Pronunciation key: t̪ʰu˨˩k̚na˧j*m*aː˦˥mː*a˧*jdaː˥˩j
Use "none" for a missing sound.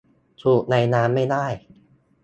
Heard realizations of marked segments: n, a˥˩

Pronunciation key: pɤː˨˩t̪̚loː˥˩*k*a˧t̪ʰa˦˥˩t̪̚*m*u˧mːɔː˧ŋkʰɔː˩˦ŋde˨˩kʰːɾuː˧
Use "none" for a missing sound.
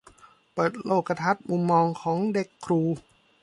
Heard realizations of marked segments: k, m

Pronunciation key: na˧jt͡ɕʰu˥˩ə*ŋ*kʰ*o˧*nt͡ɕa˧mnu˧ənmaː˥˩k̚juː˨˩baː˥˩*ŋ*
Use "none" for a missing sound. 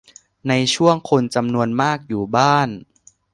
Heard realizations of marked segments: ŋ, o˧, n

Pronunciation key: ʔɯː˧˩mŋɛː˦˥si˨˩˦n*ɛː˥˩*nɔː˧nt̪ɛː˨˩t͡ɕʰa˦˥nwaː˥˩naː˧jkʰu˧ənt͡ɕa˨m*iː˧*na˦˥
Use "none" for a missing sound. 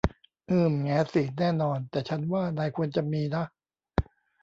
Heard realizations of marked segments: ɛː˥˩, iː˧

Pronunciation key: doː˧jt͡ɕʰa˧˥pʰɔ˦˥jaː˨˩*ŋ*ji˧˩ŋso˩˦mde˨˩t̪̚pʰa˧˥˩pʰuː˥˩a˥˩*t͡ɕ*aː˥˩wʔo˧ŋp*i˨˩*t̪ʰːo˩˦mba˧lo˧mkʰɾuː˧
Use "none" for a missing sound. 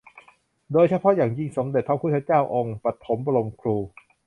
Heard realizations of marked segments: ŋ, t͡ɕ, a˨˩

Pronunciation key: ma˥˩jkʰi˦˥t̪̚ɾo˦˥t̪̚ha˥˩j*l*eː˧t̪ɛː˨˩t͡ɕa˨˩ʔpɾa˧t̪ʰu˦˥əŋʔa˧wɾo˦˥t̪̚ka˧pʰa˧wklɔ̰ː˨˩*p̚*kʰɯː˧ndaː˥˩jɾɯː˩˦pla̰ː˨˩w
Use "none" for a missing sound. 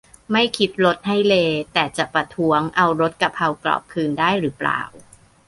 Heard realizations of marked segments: l, p̚

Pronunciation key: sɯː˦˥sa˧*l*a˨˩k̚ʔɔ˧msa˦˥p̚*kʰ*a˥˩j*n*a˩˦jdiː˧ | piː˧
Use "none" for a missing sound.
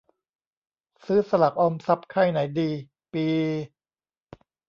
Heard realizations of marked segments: l, kʰ, n

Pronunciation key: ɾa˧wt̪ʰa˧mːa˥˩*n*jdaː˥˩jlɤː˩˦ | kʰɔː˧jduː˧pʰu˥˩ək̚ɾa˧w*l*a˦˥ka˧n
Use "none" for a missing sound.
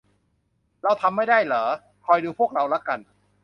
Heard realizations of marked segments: none, l

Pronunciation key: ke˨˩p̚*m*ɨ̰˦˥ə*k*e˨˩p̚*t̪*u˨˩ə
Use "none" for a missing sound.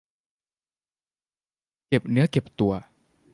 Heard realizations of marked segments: n, k, t̪

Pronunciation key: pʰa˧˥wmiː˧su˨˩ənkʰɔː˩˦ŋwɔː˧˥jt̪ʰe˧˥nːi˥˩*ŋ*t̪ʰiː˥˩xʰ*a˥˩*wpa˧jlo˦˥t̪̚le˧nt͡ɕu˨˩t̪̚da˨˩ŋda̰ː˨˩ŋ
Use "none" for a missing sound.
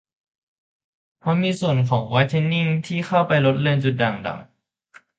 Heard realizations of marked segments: ŋ, a˥˩

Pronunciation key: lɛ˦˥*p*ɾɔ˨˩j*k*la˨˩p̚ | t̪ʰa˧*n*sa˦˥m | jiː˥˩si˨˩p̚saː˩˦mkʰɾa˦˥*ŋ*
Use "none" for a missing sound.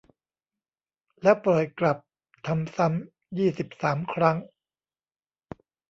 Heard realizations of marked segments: p, k, m, ŋ

